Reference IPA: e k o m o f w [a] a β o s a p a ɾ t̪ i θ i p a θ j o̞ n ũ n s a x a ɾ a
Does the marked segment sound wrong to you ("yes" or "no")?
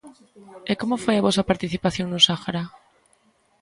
yes